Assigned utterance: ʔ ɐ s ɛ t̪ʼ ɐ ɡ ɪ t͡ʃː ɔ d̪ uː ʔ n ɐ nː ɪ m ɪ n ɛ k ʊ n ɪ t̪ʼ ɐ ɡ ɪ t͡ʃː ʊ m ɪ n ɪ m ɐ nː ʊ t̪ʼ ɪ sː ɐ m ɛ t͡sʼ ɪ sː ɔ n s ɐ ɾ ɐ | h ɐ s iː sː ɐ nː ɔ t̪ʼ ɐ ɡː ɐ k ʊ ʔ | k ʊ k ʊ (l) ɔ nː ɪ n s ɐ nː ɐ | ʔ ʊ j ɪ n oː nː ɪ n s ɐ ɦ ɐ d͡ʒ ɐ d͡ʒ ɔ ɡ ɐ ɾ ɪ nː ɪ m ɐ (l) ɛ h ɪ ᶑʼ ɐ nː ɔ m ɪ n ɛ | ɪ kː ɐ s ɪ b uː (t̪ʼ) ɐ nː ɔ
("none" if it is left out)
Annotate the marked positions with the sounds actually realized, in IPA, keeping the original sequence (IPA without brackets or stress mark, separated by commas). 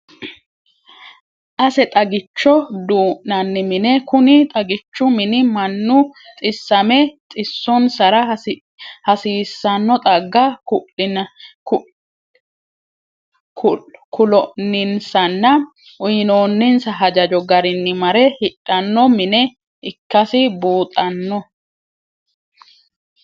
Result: l, ɾ, t̪ʼ